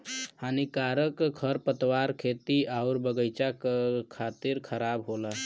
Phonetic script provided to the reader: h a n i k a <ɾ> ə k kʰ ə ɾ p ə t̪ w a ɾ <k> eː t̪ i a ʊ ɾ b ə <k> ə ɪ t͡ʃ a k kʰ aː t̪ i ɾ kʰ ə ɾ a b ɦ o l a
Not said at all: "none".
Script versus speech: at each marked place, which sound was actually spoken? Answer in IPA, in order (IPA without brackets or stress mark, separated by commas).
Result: ɾ, kʰ, ɡ